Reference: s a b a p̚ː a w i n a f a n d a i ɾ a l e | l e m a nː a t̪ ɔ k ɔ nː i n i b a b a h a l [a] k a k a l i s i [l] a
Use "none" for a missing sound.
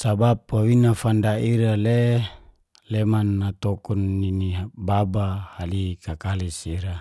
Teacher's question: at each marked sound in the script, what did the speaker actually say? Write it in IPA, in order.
i, ɾ

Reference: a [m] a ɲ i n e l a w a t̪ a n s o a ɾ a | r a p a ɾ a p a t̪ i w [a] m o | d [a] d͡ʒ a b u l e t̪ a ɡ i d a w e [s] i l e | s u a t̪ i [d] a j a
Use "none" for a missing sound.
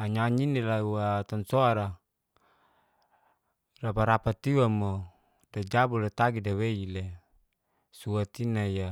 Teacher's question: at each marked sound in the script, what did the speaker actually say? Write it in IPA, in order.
ɲ, a, a, none, n

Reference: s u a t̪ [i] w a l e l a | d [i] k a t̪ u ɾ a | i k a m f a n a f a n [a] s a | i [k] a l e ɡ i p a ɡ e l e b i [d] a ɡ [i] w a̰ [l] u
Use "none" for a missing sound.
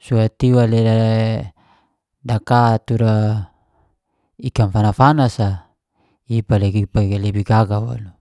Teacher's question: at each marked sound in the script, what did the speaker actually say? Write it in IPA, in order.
i, a, a, p, ɡ, a, l

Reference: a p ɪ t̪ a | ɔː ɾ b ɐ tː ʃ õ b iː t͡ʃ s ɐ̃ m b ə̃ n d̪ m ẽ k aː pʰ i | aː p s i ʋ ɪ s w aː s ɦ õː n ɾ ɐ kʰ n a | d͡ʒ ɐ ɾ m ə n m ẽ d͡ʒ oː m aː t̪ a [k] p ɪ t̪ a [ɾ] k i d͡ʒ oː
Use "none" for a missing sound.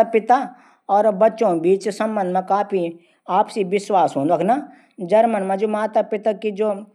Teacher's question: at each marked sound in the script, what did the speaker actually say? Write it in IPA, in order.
none, none

